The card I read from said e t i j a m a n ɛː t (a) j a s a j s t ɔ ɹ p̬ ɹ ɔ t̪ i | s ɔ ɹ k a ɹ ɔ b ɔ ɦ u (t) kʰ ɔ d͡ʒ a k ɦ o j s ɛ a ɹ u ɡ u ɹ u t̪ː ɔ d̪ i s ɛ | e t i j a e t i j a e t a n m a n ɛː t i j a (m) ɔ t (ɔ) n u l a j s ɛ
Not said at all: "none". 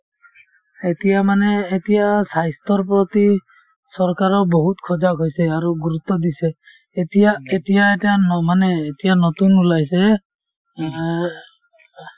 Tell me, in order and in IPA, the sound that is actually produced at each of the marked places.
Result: i, t, n, u

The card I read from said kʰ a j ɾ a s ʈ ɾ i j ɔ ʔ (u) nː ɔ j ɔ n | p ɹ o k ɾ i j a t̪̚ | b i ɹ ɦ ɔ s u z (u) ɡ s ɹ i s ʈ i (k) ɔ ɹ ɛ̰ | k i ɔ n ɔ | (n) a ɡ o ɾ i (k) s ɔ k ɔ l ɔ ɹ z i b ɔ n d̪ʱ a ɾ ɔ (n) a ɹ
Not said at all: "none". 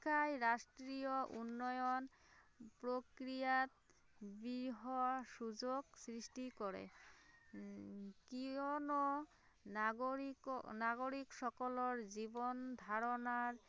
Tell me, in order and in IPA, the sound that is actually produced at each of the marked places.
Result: u, o, k, n, k, n

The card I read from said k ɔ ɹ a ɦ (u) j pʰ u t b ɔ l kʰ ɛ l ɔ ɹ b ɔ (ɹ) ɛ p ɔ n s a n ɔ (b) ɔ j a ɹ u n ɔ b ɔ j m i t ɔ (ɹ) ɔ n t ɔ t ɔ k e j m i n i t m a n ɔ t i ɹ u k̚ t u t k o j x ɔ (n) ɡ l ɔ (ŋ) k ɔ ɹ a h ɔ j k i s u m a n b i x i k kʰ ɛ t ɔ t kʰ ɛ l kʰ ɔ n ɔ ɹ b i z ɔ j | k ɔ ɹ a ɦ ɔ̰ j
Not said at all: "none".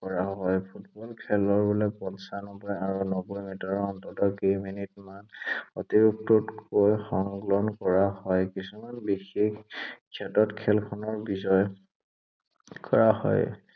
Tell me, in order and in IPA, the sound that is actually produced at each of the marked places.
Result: ɔ, l, b, ɹ, ŋ, n

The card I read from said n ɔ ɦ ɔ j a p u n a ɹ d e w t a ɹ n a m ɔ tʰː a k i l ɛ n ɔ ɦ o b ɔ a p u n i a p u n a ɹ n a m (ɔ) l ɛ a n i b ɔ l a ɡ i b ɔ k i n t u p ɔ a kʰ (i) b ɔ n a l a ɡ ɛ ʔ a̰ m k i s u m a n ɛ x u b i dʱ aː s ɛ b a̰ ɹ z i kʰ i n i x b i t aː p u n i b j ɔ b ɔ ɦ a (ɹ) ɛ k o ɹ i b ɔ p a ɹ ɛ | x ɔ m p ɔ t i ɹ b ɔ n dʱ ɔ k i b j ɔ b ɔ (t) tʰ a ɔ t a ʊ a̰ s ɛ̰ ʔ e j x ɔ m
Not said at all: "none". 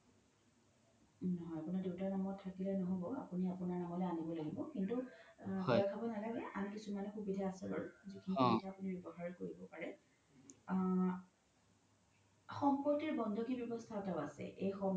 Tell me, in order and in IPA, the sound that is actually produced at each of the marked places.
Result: ɔ, a, ɹ, s

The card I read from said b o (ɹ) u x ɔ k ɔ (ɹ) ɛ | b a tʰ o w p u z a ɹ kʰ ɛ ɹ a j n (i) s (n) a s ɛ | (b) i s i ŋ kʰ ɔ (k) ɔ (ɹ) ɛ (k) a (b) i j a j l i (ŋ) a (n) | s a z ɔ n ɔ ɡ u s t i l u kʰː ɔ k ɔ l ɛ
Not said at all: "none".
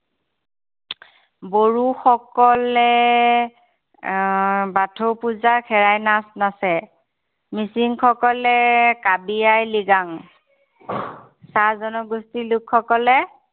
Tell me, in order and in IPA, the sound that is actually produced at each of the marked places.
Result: ɹ, l, a, n, m, k, l, k, b, ɡ, ŋ

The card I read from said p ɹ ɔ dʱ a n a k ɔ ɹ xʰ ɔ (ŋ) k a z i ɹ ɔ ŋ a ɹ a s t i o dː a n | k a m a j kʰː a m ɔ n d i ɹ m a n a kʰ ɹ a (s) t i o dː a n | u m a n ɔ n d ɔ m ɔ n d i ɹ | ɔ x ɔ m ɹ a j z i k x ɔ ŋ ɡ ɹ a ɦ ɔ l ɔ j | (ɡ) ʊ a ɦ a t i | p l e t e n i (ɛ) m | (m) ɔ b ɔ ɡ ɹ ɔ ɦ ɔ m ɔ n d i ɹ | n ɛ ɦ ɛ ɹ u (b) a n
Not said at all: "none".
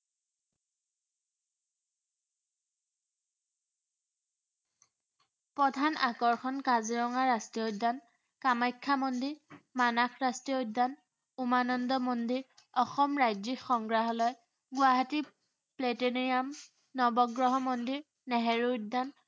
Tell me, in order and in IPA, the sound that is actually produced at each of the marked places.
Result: n, s, ɡ, a, n, d

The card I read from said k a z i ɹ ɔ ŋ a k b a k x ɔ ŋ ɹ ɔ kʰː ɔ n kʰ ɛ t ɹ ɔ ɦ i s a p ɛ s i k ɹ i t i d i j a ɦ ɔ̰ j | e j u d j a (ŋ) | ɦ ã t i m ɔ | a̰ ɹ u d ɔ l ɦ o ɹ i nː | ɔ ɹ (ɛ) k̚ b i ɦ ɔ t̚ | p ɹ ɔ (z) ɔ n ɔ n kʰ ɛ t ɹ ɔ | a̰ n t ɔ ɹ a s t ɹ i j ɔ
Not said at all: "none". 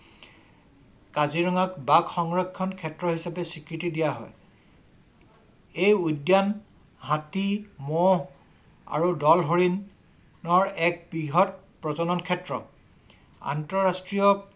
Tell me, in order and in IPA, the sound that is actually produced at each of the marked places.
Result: n, ɛ, z

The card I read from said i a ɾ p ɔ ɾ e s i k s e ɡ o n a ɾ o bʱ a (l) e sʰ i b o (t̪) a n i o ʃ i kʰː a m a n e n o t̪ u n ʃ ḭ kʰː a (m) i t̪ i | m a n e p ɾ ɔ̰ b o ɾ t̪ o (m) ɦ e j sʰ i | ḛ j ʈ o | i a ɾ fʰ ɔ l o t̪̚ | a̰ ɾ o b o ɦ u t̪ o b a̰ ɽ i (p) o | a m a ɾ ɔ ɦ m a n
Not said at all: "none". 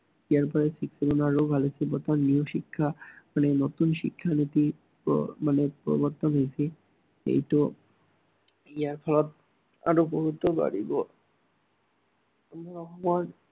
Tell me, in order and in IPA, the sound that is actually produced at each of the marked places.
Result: l, t̪, n, n, b

